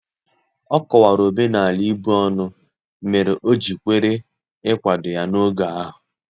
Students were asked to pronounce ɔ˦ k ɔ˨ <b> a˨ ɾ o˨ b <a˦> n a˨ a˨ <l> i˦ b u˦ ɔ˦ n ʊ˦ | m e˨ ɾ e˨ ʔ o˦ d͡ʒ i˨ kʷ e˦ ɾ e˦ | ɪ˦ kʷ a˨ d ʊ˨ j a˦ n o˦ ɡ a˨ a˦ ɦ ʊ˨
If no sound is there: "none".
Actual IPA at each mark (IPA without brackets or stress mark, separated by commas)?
w, e˦, l